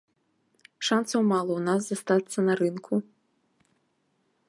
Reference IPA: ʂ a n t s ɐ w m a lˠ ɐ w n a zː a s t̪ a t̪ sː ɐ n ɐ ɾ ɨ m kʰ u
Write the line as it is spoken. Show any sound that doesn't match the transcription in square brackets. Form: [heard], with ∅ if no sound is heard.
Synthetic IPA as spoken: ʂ a n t s ɐ w m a lˠ ɐ w n a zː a s t̪ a t̪ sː ɐ n ɐ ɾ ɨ [n] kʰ u